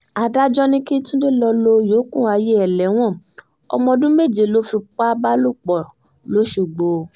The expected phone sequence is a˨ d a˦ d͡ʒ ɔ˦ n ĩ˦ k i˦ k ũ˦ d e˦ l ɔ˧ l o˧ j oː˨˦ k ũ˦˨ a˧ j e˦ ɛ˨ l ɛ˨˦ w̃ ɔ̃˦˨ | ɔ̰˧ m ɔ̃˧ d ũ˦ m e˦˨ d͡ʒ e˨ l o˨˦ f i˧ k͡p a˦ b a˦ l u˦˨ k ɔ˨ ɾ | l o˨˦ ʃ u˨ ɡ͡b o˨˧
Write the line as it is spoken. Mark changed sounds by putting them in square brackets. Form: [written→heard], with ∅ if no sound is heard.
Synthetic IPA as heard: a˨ d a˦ d͡ʒ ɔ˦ n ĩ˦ k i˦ [k→t] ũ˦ d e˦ l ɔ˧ l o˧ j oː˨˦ k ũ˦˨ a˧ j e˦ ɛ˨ l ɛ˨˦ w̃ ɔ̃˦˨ | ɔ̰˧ m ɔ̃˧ d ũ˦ m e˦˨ d͡ʒ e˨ l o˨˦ f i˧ k͡p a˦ b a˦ l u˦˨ [k→k͡p] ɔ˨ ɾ | l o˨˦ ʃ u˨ ɡ͡b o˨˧